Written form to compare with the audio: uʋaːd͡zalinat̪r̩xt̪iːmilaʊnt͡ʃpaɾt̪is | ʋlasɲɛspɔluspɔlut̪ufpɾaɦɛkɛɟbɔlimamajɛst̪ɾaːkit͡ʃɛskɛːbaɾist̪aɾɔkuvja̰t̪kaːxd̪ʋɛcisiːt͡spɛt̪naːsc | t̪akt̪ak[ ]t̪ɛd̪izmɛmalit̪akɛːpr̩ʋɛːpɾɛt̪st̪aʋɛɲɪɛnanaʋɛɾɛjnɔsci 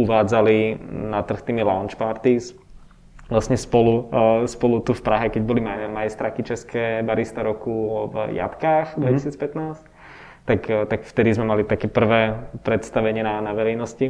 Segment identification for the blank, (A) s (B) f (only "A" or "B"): B